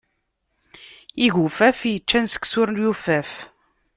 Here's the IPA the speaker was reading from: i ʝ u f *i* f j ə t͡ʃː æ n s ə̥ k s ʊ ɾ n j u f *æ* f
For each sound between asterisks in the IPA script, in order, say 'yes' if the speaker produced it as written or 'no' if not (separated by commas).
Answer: no, yes